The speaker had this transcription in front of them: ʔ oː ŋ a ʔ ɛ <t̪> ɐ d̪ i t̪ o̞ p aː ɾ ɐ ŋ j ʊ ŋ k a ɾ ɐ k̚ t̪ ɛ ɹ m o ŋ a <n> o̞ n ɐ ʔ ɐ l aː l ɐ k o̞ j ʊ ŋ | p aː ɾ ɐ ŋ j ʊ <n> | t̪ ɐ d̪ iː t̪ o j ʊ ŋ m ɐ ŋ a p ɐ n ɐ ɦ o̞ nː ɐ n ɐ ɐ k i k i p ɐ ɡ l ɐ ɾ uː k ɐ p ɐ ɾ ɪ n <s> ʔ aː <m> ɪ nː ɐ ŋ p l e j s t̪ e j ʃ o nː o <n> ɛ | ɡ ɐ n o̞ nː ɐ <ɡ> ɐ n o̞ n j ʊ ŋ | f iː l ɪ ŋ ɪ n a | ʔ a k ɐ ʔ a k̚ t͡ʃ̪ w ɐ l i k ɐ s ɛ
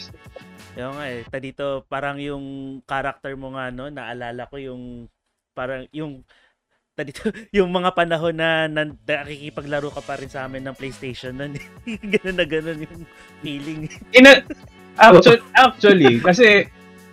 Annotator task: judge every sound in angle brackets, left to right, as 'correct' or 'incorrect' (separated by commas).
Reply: correct, correct, incorrect, correct, correct, correct, correct